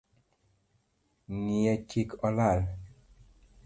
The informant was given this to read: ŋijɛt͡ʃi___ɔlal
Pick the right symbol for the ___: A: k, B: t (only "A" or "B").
A